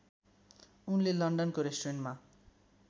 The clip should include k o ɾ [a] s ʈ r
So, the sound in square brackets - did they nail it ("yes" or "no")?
no